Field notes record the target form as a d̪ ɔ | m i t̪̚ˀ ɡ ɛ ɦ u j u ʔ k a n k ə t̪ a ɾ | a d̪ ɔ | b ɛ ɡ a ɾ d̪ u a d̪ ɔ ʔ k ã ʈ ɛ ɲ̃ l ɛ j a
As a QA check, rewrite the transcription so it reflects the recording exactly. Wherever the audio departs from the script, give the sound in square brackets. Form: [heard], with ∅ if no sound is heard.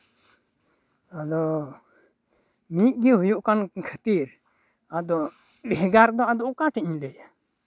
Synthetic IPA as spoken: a d̪ ɔ | m i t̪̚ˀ ɡ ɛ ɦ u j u ʔ k a n [kʰ] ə t̪ [i] ɾ | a d̪ ɔ | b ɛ ɡ a ɾ d̪ [ɔ] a d̪ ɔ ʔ k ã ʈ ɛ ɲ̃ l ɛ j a